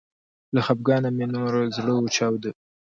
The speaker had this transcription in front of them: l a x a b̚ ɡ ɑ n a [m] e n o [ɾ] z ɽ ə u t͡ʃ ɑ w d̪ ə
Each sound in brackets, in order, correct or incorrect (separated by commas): correct, correct